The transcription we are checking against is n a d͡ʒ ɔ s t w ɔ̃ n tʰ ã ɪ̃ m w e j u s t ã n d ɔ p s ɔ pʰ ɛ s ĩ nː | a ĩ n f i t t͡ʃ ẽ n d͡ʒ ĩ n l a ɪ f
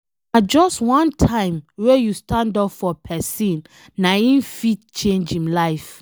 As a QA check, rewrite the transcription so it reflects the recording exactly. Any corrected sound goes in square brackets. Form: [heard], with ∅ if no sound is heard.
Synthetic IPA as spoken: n a d͡ʒ ɔ s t w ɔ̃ n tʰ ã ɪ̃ m w e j u s t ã n d ɔ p [f] ɔ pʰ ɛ s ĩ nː | a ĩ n f i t t͡ʃ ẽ n d͡ʒ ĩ [m] l a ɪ f